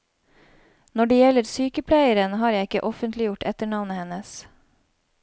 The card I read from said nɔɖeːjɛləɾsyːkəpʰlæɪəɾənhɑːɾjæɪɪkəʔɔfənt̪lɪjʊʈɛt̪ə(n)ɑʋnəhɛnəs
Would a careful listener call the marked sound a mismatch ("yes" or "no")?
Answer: yes